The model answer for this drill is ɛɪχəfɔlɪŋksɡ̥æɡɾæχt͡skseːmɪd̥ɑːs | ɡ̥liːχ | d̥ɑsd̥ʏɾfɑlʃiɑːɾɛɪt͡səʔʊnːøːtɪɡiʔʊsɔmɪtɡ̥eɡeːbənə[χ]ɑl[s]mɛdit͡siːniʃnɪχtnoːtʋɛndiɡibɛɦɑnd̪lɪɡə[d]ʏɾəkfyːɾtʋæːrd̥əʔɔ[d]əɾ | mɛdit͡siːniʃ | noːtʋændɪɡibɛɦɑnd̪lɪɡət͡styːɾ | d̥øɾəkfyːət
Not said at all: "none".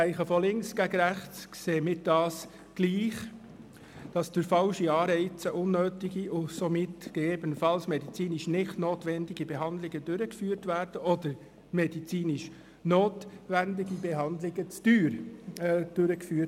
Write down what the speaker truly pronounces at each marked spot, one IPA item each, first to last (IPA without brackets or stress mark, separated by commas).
f, s, d, d